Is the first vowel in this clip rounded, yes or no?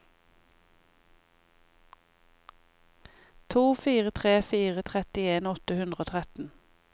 yes